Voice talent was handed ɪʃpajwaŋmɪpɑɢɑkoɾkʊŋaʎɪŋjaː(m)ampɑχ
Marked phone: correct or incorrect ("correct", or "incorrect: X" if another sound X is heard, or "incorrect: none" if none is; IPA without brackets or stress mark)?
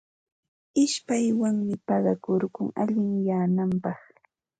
incorrect: n